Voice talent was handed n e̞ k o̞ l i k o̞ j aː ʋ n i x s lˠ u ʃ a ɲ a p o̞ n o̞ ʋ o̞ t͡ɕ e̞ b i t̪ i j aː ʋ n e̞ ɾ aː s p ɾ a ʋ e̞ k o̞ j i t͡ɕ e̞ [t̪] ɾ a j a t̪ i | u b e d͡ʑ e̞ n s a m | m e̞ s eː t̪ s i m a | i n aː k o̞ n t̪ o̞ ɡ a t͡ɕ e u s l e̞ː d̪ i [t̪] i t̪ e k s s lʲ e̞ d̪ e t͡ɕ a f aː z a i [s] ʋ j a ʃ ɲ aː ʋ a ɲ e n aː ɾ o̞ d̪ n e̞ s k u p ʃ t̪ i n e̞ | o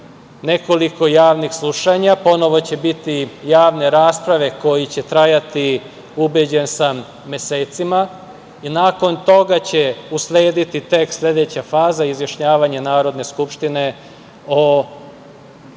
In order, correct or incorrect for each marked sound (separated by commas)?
correct, correct, incorrect